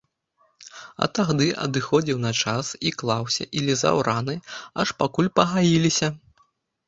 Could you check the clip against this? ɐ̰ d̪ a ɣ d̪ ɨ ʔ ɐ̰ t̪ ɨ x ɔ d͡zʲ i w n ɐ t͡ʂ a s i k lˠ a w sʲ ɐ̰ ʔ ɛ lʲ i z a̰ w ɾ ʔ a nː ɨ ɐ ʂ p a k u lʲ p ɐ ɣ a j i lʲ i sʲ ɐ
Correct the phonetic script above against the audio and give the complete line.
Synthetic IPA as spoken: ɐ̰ t̪ a ɣ d̪ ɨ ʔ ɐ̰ d̪ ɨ x ɔ d͡zʲ i w n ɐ t͡ʂ a s i k lˠ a w sʲ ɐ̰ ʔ i lʲ i z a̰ w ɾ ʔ a n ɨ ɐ ʂ p a k u lʲ p ɐ ɣ a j i lʲ i sʲ ɐ